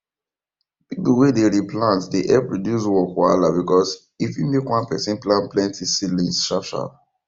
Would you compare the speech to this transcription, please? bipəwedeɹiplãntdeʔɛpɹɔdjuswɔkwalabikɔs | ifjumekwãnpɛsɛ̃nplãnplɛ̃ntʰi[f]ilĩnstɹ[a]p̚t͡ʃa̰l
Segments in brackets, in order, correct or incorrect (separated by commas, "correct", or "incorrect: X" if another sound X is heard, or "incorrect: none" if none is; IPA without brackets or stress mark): incorrect: s, correct